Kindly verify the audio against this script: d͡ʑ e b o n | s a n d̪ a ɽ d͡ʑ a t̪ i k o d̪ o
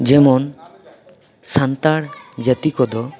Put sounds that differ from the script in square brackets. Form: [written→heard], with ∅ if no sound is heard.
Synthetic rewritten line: d͡ʑ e [b→m] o n | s a n [d̪→t̪] a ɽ d͡ʑ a t̪ i k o d̪ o